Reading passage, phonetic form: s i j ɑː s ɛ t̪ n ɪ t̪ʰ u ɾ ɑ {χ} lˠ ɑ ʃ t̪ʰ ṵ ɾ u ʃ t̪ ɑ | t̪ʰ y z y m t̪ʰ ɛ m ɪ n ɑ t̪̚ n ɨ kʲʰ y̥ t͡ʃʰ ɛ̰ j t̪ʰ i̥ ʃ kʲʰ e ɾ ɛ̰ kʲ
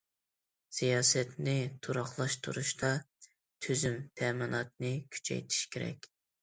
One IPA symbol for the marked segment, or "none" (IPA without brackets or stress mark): χ